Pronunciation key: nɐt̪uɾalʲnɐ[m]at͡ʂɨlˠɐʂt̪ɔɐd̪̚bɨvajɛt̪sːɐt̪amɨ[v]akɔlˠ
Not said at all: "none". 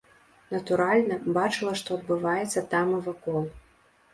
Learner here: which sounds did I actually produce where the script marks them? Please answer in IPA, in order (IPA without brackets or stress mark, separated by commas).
b, v